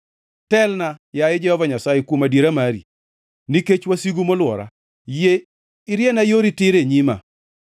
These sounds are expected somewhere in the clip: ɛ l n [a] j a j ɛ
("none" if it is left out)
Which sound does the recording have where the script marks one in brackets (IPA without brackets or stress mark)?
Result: a